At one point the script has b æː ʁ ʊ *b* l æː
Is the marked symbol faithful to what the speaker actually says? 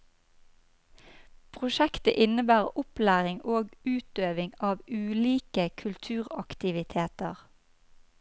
no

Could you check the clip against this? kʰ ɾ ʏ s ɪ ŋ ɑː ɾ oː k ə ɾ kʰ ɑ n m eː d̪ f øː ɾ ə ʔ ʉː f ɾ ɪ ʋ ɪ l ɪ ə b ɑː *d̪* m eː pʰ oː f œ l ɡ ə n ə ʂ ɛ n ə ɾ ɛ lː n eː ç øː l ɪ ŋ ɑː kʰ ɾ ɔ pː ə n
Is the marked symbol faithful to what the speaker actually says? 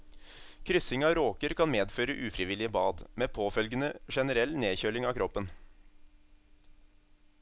yes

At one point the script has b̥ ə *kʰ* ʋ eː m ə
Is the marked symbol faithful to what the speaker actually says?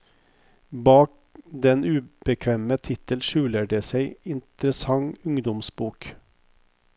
yes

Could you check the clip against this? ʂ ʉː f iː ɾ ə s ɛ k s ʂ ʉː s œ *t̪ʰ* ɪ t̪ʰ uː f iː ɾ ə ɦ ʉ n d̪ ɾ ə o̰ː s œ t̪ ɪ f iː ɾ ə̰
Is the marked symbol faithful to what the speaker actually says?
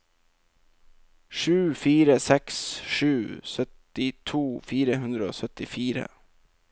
no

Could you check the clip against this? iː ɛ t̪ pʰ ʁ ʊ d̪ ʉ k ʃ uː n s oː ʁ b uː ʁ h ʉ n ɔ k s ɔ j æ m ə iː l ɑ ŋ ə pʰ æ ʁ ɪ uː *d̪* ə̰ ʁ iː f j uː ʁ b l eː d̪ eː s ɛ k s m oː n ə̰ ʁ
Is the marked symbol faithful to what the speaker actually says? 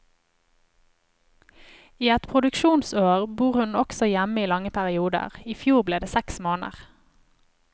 yes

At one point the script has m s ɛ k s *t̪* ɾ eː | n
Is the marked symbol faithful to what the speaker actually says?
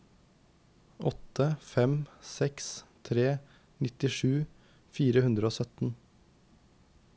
no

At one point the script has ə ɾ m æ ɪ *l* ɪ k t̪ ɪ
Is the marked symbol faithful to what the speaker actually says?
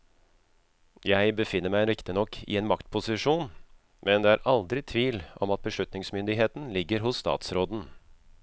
no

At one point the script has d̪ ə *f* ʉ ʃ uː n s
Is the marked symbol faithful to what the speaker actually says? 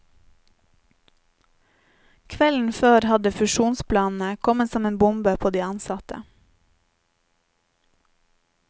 yes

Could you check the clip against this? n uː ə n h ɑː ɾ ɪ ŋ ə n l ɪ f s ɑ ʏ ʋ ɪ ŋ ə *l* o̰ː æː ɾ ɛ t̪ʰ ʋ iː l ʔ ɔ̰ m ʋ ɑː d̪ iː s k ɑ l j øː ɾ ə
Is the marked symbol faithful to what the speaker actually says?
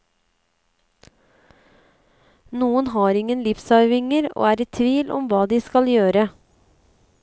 no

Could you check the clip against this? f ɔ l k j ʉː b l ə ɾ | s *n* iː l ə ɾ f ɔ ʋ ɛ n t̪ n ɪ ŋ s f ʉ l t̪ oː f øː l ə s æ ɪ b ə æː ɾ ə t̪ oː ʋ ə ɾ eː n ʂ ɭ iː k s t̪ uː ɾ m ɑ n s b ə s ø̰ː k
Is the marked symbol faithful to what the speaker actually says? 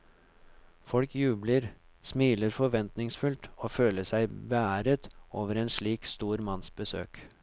no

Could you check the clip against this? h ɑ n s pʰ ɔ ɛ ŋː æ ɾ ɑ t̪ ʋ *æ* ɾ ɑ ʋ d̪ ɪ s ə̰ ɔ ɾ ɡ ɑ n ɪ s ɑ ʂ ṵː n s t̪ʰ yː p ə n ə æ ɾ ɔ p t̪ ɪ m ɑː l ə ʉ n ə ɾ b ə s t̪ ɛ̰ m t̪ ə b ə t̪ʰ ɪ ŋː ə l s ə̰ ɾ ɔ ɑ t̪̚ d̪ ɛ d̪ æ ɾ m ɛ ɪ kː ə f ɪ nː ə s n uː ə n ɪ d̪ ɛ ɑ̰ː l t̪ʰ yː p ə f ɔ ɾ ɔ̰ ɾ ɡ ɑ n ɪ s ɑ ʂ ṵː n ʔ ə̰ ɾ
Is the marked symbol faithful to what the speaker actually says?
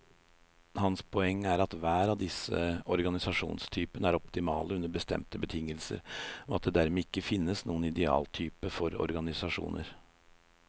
no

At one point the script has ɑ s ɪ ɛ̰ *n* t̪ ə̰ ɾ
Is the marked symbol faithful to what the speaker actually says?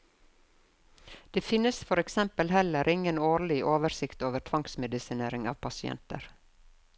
yes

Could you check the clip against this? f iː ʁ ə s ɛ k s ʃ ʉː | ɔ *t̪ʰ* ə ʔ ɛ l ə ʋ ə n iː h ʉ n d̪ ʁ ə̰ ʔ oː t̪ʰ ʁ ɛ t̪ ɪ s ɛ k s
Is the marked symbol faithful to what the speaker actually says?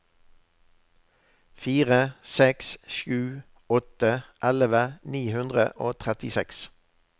no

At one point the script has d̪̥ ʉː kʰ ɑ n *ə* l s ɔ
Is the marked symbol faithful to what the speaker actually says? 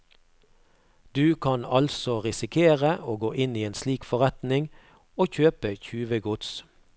no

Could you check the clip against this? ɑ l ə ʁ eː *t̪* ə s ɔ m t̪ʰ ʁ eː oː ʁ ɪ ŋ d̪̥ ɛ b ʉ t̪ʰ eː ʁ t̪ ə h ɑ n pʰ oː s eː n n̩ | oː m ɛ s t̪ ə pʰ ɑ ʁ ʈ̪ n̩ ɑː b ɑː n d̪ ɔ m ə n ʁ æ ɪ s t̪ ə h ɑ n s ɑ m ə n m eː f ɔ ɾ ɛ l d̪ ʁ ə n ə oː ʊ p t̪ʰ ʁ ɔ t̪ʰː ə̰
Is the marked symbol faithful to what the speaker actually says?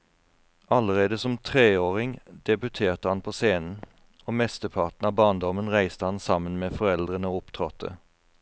no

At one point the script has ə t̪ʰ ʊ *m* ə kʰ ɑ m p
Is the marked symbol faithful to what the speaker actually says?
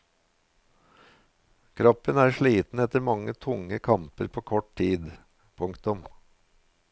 no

